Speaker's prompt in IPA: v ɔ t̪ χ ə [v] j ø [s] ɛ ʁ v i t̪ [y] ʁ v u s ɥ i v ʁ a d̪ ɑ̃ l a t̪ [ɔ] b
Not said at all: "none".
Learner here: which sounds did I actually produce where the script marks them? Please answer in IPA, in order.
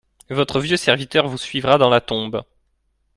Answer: v, s, œ, ɔ̃

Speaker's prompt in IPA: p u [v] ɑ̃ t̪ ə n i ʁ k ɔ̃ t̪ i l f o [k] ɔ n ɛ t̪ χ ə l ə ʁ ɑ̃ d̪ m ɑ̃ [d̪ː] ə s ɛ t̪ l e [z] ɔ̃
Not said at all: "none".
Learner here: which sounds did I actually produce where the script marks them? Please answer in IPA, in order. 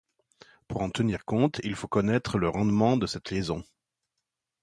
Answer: ʁ, k, d̪, z

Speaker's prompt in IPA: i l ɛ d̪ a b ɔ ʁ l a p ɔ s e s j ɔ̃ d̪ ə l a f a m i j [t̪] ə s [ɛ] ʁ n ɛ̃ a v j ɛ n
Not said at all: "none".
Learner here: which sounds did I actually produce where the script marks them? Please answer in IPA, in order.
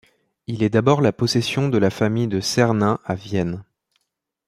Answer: d̪, ɛ

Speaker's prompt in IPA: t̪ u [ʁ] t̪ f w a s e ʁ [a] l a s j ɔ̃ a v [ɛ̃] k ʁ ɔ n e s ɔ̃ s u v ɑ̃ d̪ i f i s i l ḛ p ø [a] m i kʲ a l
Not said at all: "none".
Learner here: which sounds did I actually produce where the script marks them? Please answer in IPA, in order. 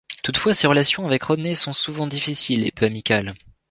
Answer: none, ə, ɛ, a

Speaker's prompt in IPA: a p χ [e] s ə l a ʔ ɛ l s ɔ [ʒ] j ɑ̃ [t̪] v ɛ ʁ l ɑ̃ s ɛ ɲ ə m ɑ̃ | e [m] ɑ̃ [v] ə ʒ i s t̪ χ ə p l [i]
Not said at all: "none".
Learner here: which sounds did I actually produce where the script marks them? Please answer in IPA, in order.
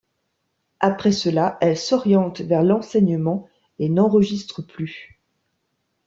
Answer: ɛ, ʁ, t̪, n, ʁ, y

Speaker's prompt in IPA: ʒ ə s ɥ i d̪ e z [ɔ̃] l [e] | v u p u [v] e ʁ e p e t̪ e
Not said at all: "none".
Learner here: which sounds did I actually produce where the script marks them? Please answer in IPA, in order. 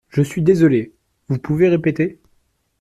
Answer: ɔ, e, v

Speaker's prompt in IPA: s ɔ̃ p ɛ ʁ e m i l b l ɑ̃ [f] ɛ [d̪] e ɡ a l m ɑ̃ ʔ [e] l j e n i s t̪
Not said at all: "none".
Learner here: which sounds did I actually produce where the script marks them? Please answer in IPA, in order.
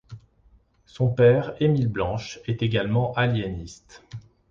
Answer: ʃ, t̪, a

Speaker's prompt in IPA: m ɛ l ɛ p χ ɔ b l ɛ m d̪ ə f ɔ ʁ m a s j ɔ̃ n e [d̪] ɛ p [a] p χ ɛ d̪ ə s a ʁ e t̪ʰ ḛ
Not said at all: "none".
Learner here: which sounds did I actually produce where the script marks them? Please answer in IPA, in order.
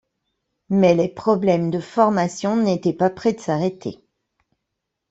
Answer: t̪, a

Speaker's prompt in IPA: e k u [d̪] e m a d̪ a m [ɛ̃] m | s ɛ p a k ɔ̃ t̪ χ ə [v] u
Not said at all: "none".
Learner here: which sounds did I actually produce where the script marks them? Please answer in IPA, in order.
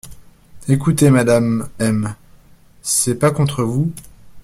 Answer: t̪, ɛ, v

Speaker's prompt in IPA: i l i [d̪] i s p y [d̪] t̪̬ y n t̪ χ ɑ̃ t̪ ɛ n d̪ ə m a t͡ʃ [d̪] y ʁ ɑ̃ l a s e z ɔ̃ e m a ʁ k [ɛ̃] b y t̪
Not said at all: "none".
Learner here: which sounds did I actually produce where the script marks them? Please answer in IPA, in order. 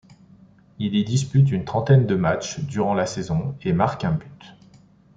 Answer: d̪, none, d̪, ɛ̃

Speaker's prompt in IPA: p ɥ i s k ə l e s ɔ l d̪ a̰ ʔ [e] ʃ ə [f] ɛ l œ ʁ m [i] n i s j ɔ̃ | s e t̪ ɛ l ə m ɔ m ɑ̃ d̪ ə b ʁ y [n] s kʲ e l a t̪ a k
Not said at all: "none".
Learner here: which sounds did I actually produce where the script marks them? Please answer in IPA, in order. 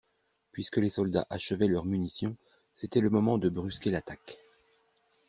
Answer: a, v, y, none

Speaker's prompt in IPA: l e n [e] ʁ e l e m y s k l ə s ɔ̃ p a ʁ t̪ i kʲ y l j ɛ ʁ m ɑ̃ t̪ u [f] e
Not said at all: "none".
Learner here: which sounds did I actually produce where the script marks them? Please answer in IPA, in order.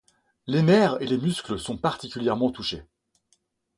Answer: ɛ, ʃ

